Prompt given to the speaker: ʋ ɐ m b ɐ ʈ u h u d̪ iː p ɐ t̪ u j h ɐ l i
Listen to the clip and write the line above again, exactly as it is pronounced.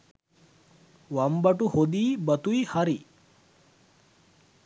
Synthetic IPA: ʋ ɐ m b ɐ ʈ u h o d̪ iː b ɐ t̪ u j h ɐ ɾ i

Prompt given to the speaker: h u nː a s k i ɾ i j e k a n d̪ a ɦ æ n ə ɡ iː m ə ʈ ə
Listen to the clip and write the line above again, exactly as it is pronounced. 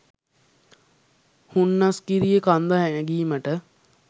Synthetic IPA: h u nː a s k i ɾ i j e k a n d̪ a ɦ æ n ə ɡ iː m ə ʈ ə

